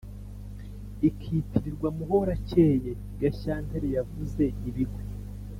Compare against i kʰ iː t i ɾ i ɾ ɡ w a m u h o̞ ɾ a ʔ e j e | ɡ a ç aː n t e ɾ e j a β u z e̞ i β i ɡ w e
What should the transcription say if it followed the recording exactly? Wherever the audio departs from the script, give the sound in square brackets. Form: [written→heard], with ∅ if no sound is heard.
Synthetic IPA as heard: i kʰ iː t i ɾ i ɾ ɡ w a m u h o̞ ɾ a [ʔ→c] e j e | ɡ a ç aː n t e ɾ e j a [β→v] u z e̞ i β i ɡ w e